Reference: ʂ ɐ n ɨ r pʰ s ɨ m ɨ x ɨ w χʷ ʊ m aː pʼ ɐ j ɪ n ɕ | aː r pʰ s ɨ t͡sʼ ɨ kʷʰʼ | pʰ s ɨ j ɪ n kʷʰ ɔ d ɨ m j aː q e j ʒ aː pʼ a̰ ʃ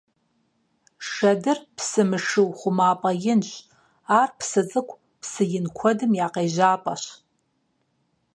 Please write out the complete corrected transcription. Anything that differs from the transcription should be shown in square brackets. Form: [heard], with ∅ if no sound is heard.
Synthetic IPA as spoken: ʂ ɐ [d] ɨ r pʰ s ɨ m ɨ [ʂ] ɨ w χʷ ʊ m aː pʼ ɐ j ɪ n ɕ | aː r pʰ s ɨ t͡sʼ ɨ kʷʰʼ | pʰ s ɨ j ɪ n kʷʰ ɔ d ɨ m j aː q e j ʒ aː pʼ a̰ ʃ